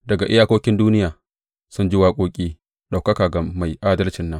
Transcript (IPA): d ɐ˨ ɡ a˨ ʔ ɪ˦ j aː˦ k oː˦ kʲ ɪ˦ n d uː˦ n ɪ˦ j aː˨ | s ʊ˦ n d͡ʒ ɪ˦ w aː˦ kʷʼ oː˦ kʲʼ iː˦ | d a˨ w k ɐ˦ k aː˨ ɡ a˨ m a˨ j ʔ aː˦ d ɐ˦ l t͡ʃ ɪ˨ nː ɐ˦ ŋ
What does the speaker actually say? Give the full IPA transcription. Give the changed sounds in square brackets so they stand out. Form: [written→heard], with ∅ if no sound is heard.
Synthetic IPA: d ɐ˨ ɡ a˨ ʔ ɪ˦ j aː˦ k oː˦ kʲ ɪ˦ n d uː˦ n ɪ˦ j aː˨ | s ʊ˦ n d͡ʒ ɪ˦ w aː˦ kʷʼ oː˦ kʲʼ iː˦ | [d→ɗ] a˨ w k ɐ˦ k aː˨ ɡ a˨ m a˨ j ʔ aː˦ d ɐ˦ l t͡ʃ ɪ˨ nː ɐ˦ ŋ